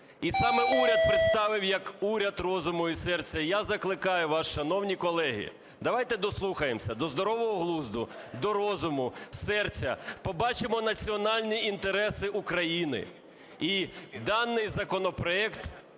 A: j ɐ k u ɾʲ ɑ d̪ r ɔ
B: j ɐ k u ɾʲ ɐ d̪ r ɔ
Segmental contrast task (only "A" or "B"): B